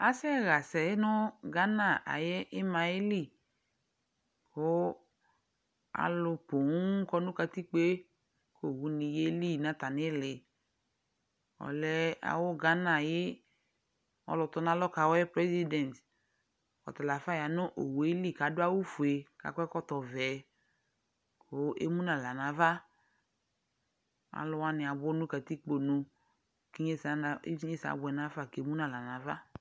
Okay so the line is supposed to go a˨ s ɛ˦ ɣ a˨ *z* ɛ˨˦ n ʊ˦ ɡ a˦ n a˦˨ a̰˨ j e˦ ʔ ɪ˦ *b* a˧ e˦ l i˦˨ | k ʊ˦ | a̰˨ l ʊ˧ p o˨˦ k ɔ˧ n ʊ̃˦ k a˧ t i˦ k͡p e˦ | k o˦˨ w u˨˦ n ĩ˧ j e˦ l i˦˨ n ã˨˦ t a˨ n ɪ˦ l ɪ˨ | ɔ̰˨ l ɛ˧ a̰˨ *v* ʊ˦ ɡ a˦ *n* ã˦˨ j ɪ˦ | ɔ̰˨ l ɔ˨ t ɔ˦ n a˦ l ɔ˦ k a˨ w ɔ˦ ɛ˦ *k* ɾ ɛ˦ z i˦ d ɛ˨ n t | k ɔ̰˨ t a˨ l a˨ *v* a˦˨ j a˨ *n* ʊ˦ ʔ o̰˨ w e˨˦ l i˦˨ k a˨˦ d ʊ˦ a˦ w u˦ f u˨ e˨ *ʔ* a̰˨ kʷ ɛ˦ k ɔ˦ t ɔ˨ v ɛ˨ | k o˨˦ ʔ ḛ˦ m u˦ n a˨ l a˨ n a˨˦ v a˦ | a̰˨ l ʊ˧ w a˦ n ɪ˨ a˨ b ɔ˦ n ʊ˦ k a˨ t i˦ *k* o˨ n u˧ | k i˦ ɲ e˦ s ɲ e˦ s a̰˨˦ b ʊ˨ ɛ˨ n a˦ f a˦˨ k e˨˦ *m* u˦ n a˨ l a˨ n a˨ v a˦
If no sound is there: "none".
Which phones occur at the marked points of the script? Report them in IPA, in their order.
s, m, w, n, p, f, n, k, k͡p, m

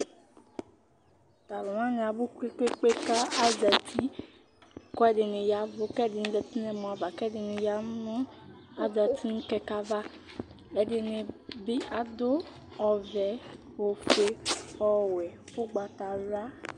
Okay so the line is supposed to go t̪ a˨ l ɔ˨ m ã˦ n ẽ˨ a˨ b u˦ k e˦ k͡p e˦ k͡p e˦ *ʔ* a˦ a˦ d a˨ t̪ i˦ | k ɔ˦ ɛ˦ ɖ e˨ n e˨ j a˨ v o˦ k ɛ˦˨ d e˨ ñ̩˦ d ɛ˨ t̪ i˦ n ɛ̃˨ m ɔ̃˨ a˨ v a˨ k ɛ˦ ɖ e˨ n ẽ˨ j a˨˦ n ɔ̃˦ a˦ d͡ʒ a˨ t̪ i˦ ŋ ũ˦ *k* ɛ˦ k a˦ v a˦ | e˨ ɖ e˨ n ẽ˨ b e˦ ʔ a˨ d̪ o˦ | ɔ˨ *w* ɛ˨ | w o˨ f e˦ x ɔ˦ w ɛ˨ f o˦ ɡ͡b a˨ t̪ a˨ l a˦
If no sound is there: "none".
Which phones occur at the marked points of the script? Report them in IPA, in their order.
k, k, v

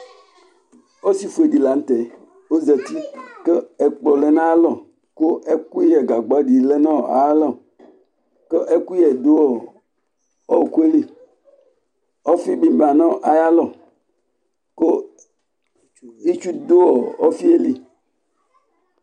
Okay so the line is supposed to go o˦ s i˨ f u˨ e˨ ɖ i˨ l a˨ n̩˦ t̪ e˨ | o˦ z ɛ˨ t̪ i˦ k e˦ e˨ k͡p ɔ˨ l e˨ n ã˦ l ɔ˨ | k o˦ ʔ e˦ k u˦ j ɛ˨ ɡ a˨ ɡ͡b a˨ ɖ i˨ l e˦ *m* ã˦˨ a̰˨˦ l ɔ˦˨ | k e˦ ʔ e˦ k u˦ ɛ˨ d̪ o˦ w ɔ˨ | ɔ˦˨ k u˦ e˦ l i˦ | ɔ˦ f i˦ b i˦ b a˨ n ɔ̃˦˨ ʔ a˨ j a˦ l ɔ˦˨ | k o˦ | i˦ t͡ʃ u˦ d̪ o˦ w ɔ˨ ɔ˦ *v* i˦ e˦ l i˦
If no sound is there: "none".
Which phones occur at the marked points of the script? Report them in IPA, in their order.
n, f

